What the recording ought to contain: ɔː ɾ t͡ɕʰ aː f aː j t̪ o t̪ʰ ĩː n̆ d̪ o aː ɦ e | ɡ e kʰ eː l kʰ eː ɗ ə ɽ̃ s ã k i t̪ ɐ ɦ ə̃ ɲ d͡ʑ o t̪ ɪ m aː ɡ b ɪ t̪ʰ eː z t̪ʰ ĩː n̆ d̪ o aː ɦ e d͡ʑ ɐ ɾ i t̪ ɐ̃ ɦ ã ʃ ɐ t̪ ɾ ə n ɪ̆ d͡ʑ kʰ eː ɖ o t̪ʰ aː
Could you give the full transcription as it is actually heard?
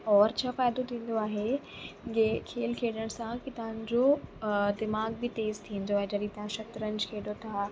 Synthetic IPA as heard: ɔː ɾ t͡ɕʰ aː f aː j d̪ o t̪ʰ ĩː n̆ d̪ o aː ɦ e | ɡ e kʰ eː l kʰ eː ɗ ə ɽ̃ s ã k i t̪ ɐ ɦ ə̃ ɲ d͡ʑ o d̪ ɪ m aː ɡ b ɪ t̪ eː z t̪ʰ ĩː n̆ d̪ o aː ɦ e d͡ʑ ɐ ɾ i t̪ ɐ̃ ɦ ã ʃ ɐ t̪ ɾ ə n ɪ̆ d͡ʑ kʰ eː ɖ o t̪ʰ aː